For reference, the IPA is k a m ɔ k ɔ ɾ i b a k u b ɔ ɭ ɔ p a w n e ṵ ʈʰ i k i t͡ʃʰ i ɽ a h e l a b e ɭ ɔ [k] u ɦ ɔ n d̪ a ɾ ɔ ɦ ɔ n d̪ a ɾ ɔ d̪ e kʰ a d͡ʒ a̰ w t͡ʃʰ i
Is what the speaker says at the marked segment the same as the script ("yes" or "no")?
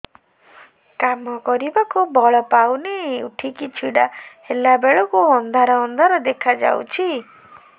yes